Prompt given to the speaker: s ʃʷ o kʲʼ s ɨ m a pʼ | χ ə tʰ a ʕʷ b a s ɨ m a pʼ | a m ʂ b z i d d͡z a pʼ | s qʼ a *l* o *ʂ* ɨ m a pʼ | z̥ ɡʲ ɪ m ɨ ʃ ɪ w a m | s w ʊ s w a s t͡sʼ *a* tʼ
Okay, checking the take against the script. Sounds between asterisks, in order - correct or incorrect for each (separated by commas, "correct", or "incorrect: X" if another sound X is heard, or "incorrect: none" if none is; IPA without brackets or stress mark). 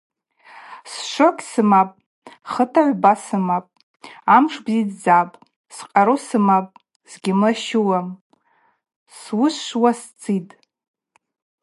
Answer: incorrect: ɾ, incorrect: s, incorrect: i